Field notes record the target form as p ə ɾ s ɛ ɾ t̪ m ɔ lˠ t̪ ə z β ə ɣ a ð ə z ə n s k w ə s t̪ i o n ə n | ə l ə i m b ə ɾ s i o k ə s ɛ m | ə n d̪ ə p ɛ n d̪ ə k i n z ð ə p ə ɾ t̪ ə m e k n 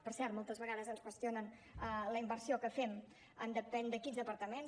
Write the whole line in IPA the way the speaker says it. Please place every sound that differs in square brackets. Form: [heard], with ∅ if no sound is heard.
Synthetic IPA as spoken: p ə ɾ s ɛ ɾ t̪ m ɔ lˠ t̪ ə z β ə ɣ a ð ə z ə n s k w ə s t̪ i o n ə n | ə l ə i m b ə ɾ s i o k ə [f] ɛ m | ə n d̪ ə p ɛ n d̪ ə k i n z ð ə p ə ɾ t̪ ə m e [∅] n